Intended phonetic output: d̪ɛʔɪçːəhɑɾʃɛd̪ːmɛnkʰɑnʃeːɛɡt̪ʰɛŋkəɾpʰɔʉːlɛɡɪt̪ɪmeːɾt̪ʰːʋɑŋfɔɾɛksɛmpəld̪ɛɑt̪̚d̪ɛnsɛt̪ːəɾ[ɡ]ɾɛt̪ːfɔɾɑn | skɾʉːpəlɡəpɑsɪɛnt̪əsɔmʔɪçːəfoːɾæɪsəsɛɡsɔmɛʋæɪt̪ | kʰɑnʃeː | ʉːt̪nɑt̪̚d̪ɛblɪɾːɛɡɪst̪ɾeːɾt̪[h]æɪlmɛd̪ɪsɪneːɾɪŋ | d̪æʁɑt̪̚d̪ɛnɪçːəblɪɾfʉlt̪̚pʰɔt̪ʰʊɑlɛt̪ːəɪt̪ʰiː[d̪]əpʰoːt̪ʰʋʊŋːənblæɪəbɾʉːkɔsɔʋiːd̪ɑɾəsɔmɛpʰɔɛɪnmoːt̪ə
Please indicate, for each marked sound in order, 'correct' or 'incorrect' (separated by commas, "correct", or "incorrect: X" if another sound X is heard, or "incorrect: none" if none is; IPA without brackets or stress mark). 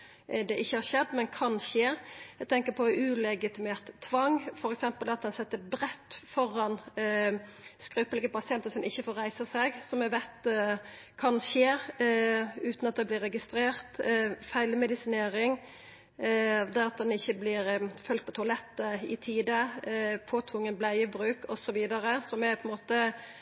incorrect: b, incorrect: f, correct